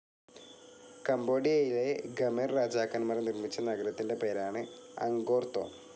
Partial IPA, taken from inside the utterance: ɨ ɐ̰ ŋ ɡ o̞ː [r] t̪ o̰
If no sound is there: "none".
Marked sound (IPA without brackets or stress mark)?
r